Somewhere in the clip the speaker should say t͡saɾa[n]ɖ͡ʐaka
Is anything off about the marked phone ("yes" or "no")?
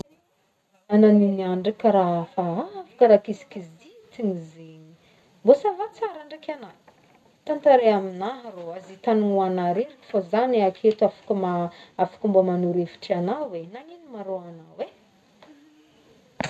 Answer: yes